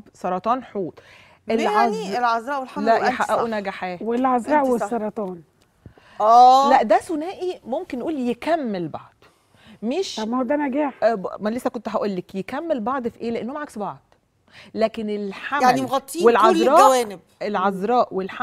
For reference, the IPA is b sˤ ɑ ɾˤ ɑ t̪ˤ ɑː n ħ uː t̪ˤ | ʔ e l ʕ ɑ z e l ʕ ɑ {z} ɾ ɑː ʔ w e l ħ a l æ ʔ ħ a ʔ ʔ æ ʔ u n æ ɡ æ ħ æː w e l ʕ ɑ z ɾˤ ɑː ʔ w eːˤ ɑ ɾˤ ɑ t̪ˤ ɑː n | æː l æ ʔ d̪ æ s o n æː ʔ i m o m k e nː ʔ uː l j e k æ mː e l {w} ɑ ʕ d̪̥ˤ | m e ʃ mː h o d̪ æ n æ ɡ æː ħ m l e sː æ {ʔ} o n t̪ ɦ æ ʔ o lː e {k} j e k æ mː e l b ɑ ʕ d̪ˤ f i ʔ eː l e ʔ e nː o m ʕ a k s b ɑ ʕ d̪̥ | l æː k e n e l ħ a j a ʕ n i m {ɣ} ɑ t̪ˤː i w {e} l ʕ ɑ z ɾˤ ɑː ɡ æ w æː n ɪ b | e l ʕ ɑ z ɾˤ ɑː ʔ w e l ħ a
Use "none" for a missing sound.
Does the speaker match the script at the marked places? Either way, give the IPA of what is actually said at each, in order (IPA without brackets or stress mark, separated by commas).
z, b, k, k, ɣ, e